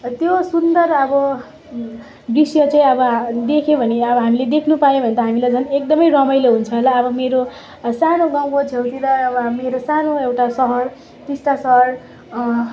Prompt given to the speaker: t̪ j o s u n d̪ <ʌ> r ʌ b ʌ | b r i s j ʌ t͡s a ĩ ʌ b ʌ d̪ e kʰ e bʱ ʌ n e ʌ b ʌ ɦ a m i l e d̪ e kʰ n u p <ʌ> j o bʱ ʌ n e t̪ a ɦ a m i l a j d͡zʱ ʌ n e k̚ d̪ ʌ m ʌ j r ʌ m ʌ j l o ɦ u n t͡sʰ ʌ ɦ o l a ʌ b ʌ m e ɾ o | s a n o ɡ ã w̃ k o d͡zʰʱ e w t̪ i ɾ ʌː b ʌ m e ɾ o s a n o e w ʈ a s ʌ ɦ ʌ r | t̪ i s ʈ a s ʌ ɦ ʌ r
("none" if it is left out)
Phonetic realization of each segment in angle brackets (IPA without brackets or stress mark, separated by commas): ʌ, a